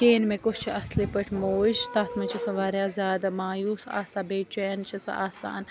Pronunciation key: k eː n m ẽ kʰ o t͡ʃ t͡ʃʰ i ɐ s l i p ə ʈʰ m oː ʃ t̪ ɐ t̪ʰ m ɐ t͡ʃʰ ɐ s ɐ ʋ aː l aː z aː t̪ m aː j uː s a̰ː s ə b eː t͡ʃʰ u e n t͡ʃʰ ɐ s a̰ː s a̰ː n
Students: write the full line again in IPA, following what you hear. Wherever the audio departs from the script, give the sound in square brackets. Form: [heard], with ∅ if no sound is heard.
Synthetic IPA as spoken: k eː n m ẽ [k] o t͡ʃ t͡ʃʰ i ɐ s l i p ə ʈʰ m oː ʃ t̪ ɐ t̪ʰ m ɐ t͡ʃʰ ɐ s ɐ ʋ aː [ɾ] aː z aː [d̪] m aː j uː s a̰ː s [a] b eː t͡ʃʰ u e n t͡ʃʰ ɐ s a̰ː s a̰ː n